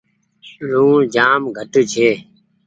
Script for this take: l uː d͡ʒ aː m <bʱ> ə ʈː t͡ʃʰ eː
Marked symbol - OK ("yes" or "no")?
no